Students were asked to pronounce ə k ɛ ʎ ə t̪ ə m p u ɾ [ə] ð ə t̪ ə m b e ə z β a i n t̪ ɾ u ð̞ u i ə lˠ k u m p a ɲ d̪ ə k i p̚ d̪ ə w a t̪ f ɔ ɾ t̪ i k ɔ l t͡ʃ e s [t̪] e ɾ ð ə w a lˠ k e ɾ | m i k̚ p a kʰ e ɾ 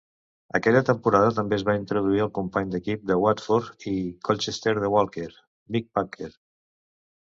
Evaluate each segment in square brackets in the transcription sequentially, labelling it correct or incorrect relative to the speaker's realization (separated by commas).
incorrect, correct